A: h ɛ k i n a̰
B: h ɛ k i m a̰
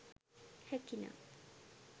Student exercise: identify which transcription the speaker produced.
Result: A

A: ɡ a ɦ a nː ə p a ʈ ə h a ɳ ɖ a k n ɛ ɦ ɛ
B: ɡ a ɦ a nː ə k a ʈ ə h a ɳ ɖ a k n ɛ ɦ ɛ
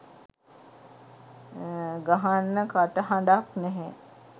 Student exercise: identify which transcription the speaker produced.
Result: B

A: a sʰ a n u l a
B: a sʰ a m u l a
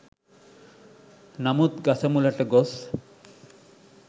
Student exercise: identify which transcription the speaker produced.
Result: B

